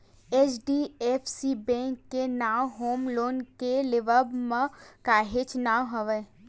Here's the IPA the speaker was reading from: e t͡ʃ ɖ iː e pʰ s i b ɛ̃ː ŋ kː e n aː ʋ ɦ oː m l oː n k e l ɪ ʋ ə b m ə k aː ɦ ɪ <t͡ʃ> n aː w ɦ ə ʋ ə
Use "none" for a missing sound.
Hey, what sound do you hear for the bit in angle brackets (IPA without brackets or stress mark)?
t͡ʃ